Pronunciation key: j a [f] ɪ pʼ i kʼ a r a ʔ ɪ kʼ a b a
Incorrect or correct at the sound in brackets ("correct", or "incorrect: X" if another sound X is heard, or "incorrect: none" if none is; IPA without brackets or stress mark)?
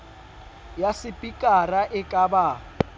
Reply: incorrect: s